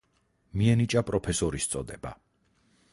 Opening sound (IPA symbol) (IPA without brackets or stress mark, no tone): m